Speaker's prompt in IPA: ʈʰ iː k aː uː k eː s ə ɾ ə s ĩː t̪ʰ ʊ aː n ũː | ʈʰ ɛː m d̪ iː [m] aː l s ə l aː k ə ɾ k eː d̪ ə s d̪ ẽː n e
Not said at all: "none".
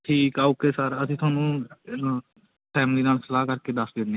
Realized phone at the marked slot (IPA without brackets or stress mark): n